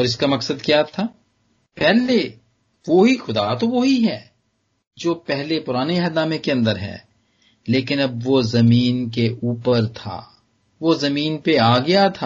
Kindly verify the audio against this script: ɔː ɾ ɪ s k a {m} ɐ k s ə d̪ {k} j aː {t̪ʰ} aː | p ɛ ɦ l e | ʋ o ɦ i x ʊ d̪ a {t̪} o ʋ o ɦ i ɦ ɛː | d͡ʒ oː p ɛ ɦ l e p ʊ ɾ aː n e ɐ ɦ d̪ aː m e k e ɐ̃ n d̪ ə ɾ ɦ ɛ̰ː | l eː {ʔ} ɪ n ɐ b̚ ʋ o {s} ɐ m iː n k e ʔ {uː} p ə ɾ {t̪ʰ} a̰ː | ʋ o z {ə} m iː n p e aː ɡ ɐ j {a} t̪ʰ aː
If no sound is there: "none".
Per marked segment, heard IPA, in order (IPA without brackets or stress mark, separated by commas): m, k, t̪ʰ, t̪, k, z, uː, t̪ʰ, ɐ, a